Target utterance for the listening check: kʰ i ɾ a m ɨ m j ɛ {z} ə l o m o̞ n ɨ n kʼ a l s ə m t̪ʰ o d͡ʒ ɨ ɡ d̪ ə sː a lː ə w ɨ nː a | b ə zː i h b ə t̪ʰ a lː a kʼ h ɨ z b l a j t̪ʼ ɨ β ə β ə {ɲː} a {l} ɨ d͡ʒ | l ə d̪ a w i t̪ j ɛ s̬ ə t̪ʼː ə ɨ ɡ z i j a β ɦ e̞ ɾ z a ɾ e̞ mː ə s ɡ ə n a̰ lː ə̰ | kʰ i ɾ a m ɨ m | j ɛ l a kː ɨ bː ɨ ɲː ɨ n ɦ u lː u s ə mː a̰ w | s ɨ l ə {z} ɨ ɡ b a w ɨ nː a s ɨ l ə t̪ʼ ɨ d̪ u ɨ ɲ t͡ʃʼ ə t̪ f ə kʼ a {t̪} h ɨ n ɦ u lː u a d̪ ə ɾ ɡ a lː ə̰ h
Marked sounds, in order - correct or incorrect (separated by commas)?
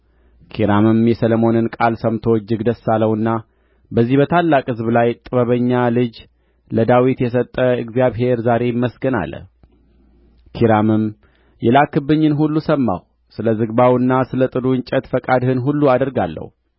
incorrect, correct, correct, correct, incorrect